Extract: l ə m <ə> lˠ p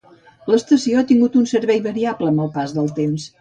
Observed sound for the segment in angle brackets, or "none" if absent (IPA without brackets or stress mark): ə